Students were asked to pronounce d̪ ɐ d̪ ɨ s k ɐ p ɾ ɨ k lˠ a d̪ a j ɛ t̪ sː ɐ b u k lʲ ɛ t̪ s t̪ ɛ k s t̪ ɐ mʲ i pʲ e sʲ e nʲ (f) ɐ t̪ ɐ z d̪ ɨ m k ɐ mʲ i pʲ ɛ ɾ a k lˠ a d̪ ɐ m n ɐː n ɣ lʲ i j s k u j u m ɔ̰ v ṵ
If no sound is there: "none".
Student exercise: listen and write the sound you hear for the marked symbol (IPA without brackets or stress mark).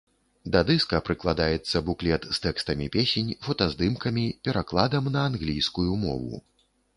f